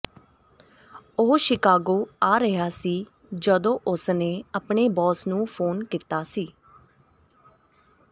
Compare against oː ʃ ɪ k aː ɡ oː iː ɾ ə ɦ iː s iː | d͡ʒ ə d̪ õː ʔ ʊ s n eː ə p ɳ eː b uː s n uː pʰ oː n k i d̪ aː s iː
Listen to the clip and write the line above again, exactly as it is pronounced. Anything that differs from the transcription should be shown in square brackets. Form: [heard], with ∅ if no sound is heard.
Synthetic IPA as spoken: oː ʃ ɪ k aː ɡ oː [aː] ɾ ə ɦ [aː] s iː | d͡ʒ ə d̪ õː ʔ ʊ s n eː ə p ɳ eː b [ɔː] s n [ũː] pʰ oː n k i [t̪] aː s iː